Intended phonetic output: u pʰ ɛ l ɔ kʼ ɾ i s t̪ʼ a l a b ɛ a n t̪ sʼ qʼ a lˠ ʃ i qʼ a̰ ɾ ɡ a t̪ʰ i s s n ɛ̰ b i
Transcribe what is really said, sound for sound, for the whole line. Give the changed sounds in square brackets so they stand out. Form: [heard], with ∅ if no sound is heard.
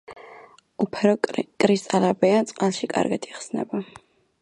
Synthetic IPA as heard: u pʰ ɛ [ɾ] ɔ kʼ ɾ i s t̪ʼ a l a b ɛ a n t̪ sʼ qʼ a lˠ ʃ i [kʼ] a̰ ɾ ɡ a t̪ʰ i [χ] s n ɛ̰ b [a]